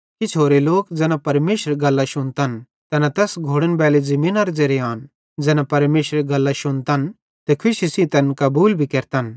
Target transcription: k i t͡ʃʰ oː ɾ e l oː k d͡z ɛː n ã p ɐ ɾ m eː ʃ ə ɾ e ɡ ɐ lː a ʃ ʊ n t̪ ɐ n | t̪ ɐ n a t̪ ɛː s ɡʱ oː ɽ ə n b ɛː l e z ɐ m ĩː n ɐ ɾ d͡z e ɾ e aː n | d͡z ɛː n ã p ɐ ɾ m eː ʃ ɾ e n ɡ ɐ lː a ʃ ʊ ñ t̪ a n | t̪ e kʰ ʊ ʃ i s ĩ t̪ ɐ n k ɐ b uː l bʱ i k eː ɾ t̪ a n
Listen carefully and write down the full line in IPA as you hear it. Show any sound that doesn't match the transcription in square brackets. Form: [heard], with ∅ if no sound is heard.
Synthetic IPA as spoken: k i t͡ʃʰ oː ɾ e l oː k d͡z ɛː n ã p ɐ ɾ m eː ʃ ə ɾ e ɡ ɐ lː a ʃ ʊ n t̪ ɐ n | t̪ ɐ n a t̪ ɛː s ɡʱ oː ɽ ə n b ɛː l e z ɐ m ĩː n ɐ ɾ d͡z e ɾ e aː n | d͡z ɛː n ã p ɐ ɾ m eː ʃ ɾ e [∅] ɡ ɐ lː a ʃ ʊ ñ t̪ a n | t̪ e kʰ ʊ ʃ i s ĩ t̪ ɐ n k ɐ b uː l bʱ i k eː ɾ t̪ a n